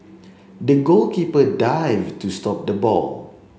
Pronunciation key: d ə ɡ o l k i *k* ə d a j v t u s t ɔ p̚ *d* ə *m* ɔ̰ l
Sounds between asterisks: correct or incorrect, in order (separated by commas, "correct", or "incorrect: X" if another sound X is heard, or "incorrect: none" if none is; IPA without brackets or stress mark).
incorrect: p, correct, incorrect: b